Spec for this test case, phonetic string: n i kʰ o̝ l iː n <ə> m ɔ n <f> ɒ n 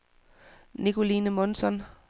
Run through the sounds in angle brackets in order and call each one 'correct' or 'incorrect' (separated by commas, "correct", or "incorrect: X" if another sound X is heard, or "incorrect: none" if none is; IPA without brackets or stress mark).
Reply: correct, incorrect: s